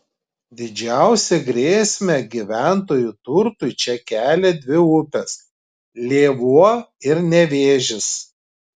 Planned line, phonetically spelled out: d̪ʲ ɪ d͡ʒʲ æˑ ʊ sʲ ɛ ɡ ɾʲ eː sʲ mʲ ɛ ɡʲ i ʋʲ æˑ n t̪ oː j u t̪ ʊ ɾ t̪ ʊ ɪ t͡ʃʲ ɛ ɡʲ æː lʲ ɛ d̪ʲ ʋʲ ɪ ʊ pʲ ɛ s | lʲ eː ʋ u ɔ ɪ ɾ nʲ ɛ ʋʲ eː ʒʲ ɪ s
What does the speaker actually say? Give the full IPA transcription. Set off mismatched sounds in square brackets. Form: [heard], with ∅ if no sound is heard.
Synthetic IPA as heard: d̪ʲ ɪ d͡ʒʲ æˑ ʊ sʲ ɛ ɡ ɾʲ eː sʲ mʲ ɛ ɡʲ i ʋʲ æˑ n t̪ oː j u t̪ ʊ ɾ t̪ ʊ ɪ t͡ʃʲ ɛ [kʲ] æː lʲ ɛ d̪ʲ ʋʲ ɪ ʊ pʲ ɛ s | lʲ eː ʋ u ɔ ɪ ɾ nʲ ɛ ʋʲ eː ʒʲ ɪ s